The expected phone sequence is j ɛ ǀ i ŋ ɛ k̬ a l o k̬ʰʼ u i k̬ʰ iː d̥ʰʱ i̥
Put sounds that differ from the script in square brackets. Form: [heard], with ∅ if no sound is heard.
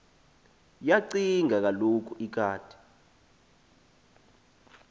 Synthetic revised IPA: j [a] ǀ i ŋ [a] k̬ a l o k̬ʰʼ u i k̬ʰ [aː] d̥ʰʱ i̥